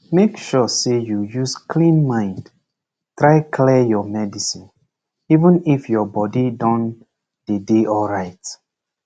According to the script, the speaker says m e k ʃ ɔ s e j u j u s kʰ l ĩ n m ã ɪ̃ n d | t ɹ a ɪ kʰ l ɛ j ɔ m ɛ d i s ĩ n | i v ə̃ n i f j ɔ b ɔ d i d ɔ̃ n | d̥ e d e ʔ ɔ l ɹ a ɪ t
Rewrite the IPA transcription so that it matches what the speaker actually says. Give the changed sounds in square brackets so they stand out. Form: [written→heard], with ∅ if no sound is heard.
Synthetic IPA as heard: m e k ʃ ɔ s e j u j u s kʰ l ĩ n m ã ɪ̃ n d | t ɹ a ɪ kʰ l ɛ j ɔ m ɛ d i s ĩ n | i v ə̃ n i f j ɔ b ɔ d i d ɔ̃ n | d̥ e d e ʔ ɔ l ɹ a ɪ t